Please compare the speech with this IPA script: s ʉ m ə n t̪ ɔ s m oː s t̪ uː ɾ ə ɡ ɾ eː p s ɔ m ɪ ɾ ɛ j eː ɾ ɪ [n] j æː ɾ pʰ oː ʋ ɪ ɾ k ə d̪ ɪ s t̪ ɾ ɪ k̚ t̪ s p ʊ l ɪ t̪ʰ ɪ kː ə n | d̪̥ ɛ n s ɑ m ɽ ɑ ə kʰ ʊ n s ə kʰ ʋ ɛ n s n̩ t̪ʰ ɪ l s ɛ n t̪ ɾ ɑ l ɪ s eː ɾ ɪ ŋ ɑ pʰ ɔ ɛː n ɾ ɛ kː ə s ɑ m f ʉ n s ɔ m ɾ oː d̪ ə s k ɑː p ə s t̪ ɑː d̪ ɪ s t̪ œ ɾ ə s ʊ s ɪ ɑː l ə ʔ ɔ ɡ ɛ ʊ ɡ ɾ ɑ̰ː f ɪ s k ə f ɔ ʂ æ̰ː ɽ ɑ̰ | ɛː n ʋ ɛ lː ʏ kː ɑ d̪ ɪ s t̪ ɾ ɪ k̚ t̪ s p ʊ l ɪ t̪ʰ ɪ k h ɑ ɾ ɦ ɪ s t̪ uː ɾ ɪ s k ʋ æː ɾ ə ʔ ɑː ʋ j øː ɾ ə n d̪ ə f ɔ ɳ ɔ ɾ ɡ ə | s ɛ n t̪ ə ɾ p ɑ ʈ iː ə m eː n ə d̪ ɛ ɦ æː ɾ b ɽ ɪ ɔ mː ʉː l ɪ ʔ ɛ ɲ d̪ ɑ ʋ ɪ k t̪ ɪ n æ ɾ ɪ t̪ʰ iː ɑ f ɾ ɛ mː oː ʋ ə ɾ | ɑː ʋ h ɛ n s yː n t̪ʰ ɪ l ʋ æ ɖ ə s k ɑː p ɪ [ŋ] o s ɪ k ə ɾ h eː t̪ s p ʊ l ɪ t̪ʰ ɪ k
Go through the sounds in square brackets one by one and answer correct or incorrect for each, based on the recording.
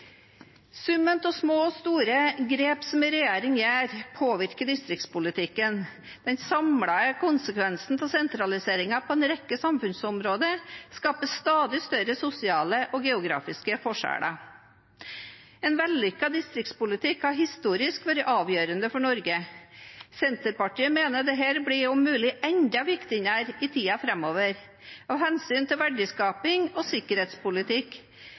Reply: incorrect: ŋ, correct

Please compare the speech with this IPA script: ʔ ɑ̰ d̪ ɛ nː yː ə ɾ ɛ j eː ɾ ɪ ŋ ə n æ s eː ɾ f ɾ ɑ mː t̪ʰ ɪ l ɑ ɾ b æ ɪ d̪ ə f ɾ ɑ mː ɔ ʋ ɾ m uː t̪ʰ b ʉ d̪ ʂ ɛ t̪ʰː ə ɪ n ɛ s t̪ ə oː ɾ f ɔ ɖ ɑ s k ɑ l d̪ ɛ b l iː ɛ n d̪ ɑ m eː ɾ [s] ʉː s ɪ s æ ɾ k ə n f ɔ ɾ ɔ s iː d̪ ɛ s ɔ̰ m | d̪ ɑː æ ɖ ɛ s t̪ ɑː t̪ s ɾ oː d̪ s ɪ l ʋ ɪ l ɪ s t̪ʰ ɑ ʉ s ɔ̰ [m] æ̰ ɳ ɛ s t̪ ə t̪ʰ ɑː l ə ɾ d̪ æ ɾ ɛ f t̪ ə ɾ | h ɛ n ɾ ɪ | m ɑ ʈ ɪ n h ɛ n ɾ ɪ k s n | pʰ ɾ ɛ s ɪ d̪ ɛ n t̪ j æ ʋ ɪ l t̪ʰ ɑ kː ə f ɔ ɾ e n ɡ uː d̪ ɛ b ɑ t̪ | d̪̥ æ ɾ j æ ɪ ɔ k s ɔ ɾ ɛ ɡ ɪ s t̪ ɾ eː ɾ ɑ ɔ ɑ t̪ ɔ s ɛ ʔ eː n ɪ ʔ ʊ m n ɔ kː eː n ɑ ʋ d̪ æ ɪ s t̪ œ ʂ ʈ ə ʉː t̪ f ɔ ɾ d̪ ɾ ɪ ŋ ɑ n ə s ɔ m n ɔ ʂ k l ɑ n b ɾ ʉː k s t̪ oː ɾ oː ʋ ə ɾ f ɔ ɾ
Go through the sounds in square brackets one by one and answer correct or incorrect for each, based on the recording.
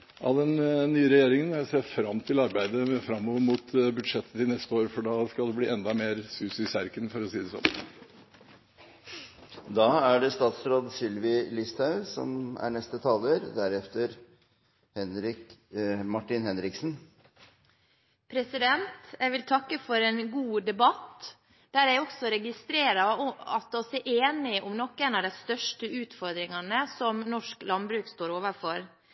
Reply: correct, correct

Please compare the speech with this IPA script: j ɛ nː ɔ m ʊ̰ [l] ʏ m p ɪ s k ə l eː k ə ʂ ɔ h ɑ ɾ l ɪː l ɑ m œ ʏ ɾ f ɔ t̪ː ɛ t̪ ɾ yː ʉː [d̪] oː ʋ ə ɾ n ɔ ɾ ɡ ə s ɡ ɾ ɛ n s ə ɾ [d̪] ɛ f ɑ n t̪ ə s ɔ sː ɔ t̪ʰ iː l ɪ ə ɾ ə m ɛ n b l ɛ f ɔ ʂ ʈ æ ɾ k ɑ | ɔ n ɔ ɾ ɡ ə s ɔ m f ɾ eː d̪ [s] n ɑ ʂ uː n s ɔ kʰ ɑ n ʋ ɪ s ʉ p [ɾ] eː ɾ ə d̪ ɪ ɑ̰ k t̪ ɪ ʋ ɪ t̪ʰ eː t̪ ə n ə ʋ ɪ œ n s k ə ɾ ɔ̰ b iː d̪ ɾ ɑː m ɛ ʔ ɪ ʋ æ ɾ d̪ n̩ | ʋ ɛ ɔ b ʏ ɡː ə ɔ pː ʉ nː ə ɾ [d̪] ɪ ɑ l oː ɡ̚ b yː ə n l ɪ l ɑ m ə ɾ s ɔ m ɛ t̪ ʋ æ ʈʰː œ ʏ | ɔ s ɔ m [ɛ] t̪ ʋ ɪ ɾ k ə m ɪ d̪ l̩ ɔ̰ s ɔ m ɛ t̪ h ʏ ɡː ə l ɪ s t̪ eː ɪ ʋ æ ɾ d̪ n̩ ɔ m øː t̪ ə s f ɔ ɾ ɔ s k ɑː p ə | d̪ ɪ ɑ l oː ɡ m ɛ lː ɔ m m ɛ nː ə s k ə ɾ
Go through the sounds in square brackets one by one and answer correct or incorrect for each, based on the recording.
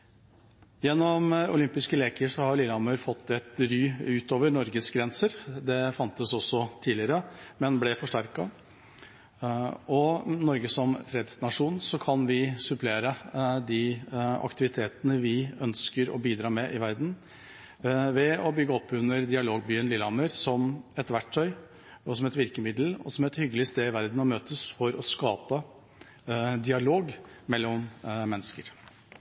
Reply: correct, incorrect: t̪, correct, correct, incorrect: l, correct, correct

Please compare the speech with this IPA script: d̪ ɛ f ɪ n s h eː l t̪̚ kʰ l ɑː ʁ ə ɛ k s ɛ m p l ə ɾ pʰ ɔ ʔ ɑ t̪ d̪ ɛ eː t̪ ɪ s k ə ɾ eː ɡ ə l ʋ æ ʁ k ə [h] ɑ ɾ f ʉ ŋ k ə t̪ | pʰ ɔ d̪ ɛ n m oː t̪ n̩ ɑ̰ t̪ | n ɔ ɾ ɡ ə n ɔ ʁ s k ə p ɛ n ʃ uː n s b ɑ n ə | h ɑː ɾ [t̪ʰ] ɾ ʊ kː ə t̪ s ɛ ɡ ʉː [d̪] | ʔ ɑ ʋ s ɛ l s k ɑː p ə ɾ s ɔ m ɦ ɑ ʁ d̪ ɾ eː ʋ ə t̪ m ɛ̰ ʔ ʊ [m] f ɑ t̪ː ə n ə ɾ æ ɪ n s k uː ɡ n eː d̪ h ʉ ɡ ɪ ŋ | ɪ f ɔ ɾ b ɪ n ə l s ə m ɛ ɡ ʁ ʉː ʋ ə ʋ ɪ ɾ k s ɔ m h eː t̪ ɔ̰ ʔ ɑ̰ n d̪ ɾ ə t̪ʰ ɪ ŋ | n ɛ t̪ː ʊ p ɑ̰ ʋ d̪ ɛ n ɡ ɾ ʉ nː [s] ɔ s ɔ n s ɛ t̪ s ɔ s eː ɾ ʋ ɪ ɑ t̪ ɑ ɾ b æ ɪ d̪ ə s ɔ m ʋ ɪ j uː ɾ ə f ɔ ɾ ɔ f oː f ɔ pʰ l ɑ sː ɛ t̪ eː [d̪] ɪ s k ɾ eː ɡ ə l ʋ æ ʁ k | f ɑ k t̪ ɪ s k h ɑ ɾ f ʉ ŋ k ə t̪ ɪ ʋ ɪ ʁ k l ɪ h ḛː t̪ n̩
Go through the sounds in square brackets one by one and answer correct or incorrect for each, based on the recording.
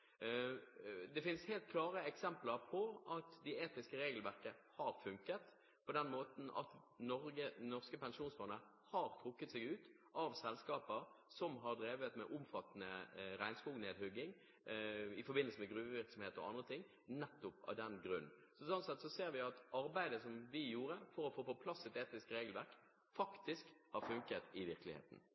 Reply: correct, correct, incorrect: t̪, correct, correct, incorrect: t̪

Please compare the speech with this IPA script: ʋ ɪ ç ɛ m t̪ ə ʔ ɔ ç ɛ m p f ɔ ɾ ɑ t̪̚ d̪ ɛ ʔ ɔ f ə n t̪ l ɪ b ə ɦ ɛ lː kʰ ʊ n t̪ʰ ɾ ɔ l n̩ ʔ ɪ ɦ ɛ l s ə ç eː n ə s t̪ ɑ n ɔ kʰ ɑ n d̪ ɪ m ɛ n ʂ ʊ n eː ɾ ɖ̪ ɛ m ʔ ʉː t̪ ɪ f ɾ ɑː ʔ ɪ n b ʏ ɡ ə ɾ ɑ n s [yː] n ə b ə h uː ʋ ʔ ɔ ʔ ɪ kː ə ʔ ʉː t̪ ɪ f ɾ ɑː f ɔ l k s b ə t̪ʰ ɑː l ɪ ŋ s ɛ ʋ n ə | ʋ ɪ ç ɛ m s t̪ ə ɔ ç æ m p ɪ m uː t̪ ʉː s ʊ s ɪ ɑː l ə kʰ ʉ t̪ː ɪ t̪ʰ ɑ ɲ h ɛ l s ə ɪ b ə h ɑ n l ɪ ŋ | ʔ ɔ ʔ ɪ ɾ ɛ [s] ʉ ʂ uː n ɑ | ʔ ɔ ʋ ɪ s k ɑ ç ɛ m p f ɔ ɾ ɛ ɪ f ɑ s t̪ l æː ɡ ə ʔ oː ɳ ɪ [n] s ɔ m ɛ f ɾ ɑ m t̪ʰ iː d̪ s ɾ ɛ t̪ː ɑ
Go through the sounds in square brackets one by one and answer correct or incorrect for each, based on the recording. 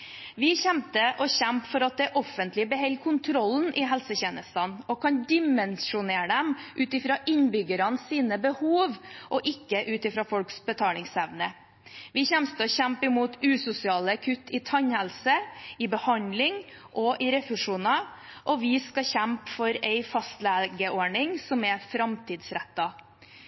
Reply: incorrect: iː, incorrect: f, incorrect: ŋ

